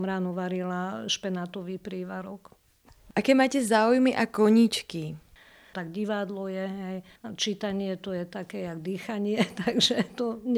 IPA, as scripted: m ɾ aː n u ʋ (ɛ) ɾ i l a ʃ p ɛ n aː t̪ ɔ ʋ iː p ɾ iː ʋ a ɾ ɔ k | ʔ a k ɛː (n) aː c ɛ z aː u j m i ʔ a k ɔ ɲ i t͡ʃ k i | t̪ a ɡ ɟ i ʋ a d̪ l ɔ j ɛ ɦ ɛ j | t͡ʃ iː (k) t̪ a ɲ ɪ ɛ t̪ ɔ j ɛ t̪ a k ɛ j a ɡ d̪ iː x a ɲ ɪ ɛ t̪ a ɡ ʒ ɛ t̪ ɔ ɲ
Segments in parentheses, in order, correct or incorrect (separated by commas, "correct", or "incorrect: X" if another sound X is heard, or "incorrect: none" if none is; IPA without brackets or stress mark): incorrect: a, incorrect: m, incorrect: none